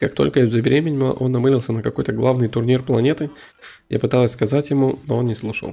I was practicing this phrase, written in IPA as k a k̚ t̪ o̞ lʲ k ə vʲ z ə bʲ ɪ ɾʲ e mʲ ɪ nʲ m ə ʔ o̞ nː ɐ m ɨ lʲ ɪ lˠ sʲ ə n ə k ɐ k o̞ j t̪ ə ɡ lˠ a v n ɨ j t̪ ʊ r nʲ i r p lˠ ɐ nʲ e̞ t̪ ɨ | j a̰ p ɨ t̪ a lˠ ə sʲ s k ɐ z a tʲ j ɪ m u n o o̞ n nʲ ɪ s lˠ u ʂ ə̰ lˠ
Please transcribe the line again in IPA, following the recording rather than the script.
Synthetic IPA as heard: k a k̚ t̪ o̞ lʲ k ə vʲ z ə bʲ ɪ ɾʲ e mʲ ɪ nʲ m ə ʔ o̞ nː ɐ m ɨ lʲ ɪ lˠ sʲ ə n ə k ɐ k o̞ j t̪ ə ɡ lˠ a v n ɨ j t̪ ʊ r nʲ i r p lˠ ɐ nʲ e̞ t̪ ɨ | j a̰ p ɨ t̪ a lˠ ə sʲ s k ɐ z a tʲ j ɪ m u n o o̞ n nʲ ɪ s lˠ u ʂ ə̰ lˠ